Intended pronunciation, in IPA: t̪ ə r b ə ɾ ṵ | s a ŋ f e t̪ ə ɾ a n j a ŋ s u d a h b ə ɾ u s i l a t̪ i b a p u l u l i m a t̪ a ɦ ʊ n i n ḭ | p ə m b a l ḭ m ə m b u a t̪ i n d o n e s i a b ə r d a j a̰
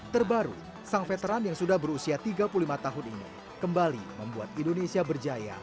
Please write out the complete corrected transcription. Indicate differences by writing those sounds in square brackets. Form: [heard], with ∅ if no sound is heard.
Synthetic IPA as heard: t̪ ə r b [a] ɾ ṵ | s a ŋ f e t̪ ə ɾ a n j a ŋ s u d a h b ə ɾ u s i [∅] a t̪ i [ɡ] a p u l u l i m a t̪ a ɦ ʊ n i n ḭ | [k] ə m b a l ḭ m ə m b u a t̪ i n d o n e s i a b ə r [d͡ʒ] a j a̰